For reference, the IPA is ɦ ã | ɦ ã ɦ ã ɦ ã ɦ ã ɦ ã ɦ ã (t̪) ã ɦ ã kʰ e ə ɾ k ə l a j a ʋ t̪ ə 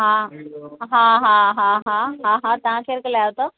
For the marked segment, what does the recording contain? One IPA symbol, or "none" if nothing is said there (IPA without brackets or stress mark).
t̪